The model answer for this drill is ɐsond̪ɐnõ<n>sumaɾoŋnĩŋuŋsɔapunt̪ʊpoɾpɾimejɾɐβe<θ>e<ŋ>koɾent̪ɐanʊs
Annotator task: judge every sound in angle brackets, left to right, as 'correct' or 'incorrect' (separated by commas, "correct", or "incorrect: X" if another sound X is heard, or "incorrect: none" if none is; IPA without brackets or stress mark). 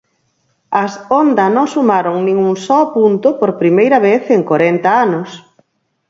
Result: incorrect: ŋ, correct, correct